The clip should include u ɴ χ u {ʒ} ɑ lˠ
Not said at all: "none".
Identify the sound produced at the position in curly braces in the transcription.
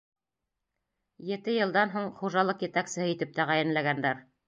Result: ʒ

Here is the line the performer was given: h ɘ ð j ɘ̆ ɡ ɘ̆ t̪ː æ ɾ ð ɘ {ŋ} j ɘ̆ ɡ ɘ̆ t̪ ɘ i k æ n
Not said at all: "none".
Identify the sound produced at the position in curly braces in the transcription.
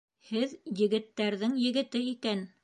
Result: ŋ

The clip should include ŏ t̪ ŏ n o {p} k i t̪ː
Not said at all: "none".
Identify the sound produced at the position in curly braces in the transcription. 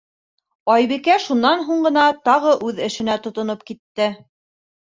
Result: p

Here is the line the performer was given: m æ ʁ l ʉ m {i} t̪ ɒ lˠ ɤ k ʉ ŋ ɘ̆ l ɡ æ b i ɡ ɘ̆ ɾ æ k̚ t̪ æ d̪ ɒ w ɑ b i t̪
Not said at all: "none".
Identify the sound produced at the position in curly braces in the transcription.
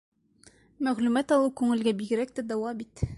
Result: æ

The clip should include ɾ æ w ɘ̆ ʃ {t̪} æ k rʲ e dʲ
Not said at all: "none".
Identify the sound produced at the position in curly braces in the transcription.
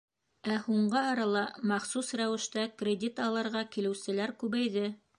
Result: t̪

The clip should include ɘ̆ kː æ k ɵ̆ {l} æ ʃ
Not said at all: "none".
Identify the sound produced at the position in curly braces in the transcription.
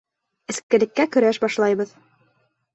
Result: ɾ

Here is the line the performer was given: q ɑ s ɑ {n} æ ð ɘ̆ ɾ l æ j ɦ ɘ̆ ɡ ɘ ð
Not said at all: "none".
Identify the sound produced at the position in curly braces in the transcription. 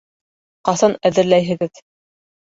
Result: n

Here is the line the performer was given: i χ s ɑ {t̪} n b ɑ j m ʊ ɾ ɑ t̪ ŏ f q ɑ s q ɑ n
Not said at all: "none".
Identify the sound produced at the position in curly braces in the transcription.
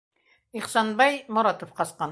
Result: none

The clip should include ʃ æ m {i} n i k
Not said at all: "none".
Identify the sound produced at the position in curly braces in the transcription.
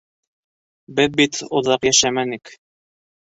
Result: æ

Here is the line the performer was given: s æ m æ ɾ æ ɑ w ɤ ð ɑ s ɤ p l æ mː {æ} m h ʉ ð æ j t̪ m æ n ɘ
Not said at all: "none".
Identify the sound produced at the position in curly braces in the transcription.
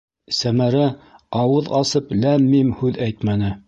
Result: i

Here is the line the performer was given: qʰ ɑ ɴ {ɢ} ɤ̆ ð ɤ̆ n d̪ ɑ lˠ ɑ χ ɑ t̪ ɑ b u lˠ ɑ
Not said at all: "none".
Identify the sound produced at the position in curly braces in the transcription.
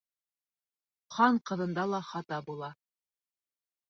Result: q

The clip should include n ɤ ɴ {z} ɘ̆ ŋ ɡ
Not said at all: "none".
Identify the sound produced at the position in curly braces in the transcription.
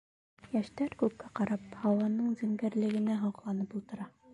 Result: z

